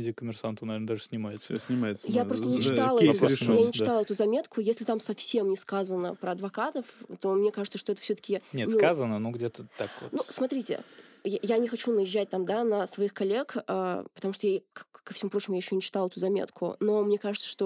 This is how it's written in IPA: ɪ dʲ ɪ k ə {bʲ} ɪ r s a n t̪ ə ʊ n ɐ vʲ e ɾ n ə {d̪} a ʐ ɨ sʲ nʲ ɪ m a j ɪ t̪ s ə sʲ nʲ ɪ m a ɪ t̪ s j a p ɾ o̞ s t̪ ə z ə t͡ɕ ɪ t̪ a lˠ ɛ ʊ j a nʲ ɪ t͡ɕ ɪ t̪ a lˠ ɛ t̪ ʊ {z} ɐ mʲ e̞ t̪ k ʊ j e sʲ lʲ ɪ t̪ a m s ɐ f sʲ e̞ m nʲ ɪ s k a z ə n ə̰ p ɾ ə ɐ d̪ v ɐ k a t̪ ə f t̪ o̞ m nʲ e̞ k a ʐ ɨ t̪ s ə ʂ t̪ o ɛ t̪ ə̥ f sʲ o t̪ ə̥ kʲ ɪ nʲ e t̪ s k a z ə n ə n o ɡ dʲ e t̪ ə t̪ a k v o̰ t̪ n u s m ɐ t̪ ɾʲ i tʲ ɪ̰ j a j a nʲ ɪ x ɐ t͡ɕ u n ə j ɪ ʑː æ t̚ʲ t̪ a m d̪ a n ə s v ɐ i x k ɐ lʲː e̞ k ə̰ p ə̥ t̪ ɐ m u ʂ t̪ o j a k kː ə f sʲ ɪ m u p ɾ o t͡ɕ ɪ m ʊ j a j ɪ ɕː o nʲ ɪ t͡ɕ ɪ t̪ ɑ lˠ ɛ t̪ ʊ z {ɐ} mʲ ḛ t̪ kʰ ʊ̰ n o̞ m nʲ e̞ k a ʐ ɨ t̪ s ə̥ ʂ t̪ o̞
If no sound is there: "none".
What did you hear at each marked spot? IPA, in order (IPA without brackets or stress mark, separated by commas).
mʲ, d̪, z, ɐ